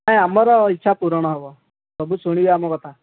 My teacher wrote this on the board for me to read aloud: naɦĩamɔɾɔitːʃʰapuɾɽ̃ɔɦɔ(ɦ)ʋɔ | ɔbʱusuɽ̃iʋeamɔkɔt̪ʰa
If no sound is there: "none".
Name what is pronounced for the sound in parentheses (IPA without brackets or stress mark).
none